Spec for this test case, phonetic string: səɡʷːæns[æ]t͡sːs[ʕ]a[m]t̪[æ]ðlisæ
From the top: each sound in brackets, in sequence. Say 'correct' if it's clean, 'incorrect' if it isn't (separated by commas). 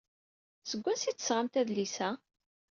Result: incorrect, incorrect, correct, correct